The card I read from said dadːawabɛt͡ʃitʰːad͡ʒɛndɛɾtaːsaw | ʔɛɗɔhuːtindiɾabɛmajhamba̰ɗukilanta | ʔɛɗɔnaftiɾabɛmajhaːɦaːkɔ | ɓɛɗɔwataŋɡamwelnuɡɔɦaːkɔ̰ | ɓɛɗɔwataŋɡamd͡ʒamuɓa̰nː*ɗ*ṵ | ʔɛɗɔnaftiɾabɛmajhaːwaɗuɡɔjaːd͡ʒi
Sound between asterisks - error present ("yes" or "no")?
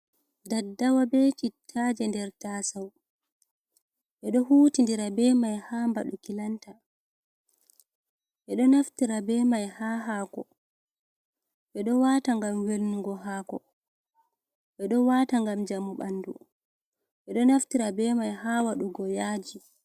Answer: yes